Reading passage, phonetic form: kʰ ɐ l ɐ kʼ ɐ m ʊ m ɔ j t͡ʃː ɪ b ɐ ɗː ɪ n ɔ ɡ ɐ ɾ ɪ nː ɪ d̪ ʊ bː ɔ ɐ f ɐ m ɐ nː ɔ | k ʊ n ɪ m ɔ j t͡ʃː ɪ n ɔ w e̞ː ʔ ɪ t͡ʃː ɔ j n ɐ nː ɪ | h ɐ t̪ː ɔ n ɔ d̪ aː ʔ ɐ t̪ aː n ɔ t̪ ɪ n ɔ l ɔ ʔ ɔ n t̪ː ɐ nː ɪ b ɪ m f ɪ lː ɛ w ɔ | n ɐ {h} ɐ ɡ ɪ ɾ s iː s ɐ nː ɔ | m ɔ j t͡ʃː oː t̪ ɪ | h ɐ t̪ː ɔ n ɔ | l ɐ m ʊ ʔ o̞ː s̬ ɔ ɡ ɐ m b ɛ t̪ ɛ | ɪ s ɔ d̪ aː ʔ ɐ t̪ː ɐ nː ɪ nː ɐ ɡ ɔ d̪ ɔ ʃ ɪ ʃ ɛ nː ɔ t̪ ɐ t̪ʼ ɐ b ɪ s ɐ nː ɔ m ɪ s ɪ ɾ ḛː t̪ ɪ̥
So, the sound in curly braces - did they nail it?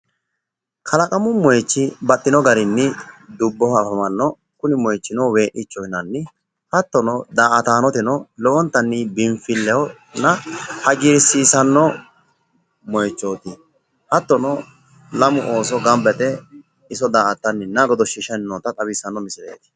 yes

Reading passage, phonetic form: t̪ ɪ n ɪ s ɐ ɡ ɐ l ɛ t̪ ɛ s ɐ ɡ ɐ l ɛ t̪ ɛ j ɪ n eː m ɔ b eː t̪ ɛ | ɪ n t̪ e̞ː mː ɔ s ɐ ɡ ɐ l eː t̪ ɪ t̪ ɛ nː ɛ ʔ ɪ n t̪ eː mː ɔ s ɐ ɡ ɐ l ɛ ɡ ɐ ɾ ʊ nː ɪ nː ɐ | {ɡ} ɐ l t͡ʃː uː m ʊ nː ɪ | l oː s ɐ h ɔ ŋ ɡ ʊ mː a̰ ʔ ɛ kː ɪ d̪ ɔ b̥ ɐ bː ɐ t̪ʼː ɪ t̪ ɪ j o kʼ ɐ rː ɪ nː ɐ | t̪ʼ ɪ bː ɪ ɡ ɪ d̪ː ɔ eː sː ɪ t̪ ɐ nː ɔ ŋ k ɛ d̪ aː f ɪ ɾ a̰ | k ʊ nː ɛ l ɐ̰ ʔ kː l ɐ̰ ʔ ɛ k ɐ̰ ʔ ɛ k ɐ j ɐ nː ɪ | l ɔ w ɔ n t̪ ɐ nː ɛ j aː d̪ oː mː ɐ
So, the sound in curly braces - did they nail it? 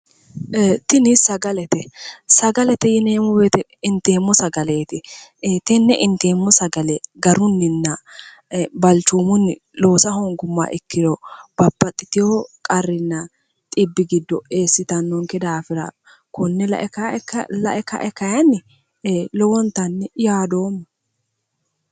no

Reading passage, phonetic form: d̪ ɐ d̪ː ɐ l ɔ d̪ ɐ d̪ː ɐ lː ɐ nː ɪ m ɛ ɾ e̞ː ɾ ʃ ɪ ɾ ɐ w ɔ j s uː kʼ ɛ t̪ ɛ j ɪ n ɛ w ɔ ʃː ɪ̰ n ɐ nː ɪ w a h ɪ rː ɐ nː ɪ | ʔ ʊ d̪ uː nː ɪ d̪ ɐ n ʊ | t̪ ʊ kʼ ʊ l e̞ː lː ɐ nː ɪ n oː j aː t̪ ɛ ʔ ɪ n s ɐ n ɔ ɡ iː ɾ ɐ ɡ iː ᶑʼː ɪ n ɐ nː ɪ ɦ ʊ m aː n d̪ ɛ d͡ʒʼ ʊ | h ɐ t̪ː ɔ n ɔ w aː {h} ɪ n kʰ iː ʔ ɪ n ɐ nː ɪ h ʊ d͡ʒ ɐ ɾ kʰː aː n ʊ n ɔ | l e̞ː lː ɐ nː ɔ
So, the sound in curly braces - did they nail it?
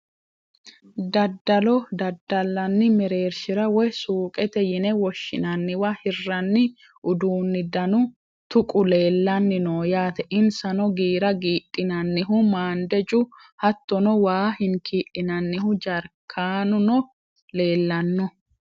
yes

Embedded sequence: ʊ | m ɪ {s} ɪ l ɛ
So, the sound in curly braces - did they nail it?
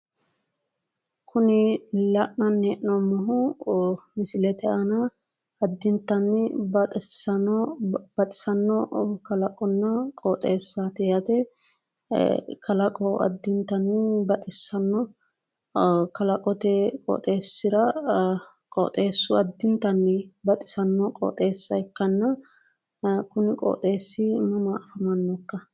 yes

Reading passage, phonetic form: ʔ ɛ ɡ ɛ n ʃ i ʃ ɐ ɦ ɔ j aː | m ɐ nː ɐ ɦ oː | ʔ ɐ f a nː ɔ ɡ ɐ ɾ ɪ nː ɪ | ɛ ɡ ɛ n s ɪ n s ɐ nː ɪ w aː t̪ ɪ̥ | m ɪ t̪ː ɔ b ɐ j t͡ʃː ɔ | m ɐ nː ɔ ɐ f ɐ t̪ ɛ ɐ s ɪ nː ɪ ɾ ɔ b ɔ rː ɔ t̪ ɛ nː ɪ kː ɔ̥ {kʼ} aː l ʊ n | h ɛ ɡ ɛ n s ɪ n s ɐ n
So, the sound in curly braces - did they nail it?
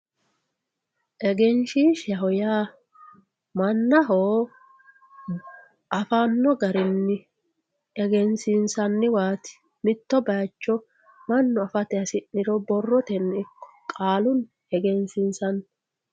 yes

